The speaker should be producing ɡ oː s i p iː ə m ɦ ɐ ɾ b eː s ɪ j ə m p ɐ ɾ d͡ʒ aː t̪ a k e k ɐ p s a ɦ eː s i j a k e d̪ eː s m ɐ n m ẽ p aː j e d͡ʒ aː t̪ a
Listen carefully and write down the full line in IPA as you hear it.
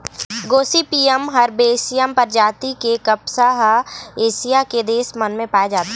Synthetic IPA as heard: ɡ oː s i p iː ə m ɦ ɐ ɾ b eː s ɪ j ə m p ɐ ɾ d͡ʒ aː t̪ i k e k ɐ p s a ɦ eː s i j a k e d̪ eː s m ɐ n m ẽ p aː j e d͡ʒ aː t̪ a